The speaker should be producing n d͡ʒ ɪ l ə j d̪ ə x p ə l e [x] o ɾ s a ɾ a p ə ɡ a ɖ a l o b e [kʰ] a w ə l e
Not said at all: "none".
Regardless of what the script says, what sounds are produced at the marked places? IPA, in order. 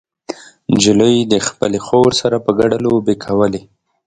x, kʰ

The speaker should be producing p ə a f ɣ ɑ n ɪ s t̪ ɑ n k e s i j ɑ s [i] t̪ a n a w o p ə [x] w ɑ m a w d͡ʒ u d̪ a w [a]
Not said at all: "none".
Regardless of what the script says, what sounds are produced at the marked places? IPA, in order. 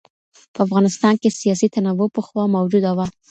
i, x, a

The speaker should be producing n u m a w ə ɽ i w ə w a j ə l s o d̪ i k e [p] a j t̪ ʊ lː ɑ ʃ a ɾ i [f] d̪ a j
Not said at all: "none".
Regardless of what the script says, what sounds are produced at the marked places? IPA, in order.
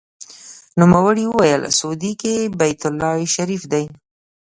b, f

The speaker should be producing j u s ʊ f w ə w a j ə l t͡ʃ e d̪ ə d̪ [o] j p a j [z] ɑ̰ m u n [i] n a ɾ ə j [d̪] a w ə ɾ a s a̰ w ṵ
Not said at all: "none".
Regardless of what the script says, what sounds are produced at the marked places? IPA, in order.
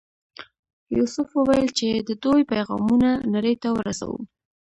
o, ɣ, a, t̪

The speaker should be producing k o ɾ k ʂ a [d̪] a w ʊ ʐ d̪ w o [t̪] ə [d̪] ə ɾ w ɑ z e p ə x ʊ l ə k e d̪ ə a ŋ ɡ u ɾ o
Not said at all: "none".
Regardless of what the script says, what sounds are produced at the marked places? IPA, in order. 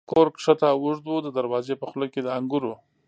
t̪, d̪, d̪

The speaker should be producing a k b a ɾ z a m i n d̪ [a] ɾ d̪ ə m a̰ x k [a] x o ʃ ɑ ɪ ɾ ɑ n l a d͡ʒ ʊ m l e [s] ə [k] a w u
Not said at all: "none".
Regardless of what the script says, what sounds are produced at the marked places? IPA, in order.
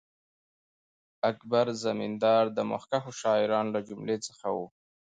ɑ, a, t͡s, x

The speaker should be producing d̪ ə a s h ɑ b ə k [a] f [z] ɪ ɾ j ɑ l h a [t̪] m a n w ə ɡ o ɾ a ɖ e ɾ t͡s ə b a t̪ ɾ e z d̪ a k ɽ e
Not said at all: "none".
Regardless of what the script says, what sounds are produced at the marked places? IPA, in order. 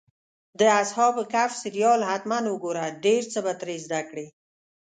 a, s, t̪

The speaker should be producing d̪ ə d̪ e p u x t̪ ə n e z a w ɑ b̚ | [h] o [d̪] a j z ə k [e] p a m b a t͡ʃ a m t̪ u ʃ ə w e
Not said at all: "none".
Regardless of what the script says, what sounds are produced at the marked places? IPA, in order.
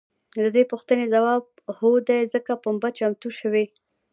h, d̪, a

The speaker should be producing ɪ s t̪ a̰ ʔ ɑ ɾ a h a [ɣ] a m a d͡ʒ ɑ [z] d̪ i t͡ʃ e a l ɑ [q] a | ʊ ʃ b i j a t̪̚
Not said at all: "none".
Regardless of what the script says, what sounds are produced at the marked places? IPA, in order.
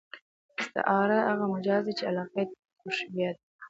ɣ, z, q

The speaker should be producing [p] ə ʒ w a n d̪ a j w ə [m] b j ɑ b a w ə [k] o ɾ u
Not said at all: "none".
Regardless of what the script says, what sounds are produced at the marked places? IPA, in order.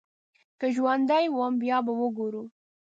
k, m, ɡ

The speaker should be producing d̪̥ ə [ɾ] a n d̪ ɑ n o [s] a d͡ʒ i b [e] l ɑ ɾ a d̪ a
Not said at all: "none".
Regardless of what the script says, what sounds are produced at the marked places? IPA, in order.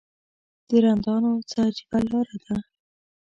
ɾ, t͡s, a

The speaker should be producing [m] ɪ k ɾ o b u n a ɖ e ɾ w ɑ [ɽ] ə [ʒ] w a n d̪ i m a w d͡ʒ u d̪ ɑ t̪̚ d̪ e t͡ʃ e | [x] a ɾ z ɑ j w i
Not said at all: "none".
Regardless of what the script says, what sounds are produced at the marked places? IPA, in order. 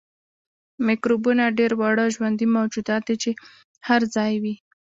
m, ɽ, ʒ, h

